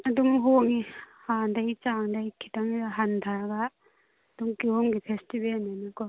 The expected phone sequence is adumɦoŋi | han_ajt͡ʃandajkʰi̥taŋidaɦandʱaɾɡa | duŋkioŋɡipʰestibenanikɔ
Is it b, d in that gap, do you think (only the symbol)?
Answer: d